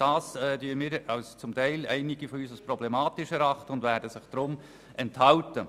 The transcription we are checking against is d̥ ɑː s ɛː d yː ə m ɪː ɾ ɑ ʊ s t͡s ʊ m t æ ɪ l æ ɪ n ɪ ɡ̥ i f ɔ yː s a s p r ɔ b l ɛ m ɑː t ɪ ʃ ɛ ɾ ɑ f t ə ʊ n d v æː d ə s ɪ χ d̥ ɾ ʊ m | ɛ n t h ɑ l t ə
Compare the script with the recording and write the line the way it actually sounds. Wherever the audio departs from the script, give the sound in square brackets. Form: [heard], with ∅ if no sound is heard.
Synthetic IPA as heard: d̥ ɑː s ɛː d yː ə m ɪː ɾ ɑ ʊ s t͡s ʊ m t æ ɪ l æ ɪ n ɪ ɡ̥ i f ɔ yː s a s p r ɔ b l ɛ m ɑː t ɪ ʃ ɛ ɾ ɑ [χ] t ə ʊ n d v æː d ə s ɪ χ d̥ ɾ ʊ m | ɛ n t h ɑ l t ə